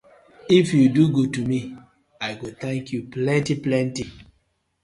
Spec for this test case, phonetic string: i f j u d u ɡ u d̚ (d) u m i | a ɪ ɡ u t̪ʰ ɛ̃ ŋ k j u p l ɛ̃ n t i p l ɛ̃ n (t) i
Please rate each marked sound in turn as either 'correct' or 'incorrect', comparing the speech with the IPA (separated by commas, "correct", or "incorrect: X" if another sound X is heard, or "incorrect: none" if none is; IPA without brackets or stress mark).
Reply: incorrect: t, correct